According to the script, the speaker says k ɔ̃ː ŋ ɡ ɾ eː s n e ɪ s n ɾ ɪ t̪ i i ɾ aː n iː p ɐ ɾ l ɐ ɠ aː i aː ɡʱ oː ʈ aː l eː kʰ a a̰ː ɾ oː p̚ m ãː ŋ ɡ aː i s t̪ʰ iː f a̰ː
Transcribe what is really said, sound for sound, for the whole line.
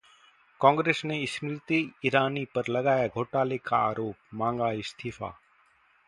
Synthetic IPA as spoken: k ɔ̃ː ŋ ɡ ɾ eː s n e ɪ s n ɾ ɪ t̪ i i ɾ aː n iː p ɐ ɾ l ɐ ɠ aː j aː ɡʱ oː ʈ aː l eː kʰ a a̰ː ɾ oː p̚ m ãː ŋ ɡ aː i s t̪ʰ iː f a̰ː